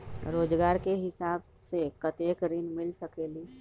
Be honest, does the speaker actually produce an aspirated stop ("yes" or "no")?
no